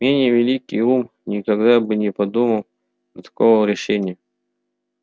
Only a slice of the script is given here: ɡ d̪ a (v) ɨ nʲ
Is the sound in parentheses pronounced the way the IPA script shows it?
no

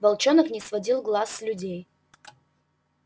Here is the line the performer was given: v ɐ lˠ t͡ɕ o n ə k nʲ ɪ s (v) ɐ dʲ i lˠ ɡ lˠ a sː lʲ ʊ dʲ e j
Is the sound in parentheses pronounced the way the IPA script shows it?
yes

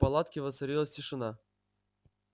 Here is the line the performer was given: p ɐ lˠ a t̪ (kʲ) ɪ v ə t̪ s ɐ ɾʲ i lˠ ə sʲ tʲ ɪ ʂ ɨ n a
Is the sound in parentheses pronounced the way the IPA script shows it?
yes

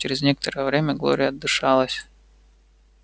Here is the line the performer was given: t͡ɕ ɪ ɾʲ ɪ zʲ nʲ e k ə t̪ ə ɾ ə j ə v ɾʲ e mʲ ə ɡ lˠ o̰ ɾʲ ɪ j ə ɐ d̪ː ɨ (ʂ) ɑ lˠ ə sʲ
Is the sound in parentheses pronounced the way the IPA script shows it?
yes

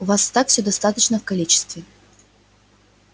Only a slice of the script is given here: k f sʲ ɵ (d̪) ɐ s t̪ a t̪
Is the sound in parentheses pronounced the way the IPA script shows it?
yes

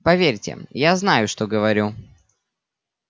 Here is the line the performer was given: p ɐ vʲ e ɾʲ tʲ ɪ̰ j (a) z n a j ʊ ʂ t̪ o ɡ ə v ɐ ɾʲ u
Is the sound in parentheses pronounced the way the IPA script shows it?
yes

